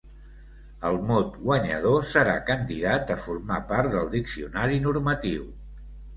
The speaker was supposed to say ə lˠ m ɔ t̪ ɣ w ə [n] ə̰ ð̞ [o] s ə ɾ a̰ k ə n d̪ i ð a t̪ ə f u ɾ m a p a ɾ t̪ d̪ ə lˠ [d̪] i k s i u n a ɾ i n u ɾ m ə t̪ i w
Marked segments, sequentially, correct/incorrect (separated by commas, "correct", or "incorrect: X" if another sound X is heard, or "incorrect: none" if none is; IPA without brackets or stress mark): incorrect: ɲ, correct, correct